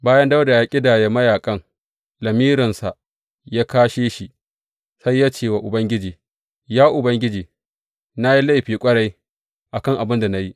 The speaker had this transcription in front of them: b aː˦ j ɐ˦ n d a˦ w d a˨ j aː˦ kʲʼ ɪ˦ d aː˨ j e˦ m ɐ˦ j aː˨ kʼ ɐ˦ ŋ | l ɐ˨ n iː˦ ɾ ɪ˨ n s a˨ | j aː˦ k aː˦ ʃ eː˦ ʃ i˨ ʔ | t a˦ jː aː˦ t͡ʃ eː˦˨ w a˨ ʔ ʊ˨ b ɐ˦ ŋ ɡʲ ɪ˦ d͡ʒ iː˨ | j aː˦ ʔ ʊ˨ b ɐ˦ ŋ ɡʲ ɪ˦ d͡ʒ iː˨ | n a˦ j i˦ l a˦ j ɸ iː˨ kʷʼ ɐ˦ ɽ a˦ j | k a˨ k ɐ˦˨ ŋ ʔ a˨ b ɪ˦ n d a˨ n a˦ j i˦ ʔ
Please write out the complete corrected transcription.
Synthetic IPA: b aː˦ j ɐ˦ n d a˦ w d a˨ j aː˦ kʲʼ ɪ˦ d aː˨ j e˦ m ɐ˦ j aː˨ kʼ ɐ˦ ŋ | l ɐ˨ m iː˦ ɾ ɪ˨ n s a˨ | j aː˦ k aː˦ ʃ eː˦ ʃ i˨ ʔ | s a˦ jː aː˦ t͡ʃ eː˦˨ w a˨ ʔ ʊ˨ b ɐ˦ ŋ ɡʲ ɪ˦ d͡ʒ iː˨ | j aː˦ ʔ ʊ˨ b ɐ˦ ŋ ɡʲ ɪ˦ d͡ʒ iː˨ | n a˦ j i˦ l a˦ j ɸ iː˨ kʷʼ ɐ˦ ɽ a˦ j | ʔ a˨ k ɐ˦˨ ŋ ʔ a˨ b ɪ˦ n d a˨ n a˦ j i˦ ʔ